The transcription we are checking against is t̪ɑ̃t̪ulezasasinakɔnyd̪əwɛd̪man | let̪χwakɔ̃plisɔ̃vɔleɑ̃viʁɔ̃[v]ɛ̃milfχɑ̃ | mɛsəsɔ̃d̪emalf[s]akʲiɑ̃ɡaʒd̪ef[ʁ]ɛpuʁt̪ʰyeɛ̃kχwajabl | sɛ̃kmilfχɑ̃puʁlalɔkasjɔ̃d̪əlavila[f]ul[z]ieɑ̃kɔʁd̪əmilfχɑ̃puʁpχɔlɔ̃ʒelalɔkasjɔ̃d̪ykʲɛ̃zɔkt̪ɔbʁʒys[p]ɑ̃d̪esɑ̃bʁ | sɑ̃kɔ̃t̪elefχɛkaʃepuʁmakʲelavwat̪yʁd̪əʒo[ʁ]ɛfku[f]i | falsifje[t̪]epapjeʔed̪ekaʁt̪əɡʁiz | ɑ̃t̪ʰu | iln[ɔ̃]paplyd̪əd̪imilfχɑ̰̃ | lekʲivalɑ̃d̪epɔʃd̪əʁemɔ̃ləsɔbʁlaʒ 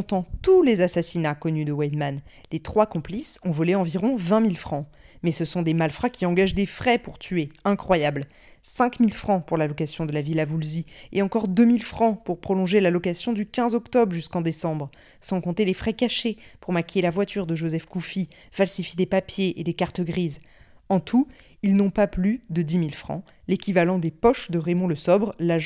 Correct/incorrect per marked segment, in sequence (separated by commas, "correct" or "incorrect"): correct, incorrect, incorrect, incorrect, correct, incorrect, incorrect, correct, incorrect, correct